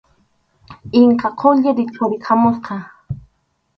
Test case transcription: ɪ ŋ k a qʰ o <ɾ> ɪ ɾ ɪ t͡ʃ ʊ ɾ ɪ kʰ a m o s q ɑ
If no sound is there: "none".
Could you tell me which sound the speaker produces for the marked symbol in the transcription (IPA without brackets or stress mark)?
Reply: ʎ